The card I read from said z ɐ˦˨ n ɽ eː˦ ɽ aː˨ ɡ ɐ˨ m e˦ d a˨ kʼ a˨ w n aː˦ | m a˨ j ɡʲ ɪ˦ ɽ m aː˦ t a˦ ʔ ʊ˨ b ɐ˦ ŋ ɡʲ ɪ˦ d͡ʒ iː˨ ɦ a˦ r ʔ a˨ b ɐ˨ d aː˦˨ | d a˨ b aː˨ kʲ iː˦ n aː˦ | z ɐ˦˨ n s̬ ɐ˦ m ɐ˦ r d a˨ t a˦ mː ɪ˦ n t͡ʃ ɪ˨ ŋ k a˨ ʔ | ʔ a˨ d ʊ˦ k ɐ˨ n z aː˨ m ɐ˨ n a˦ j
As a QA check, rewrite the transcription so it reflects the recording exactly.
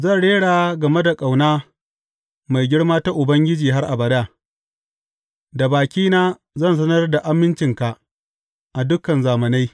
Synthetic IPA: z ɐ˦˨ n ɽ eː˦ ɽ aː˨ ɡ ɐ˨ m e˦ d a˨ kʼ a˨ w n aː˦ | m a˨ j ɡʲ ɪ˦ ɽ m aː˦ t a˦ ʔ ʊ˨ b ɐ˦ ŋ ɡʲ ɪ˦ d͡ʒ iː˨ ɦ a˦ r ʔ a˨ b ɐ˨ d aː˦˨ | d a˨ b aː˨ kʲ iː˦ n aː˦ | z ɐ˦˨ n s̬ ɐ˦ n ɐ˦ r d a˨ ʔ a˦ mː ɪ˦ n t͡ʃ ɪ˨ ŋ k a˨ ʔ | ʔ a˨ d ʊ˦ k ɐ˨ n z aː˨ m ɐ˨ n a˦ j